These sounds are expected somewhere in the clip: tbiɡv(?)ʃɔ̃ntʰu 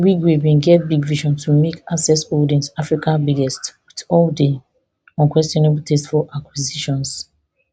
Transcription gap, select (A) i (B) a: A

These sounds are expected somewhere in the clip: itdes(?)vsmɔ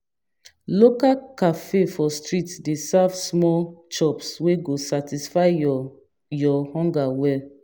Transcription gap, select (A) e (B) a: B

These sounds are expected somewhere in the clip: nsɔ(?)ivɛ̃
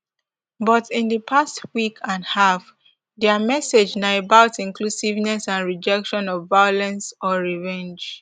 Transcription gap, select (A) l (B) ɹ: B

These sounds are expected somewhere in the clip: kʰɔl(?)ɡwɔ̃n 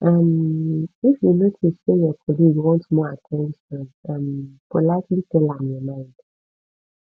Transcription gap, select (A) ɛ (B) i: B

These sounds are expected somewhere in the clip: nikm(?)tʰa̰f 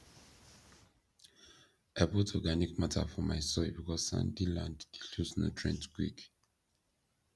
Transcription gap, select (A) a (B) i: A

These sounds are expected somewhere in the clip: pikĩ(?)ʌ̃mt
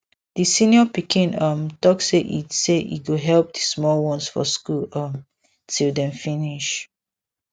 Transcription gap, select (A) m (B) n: B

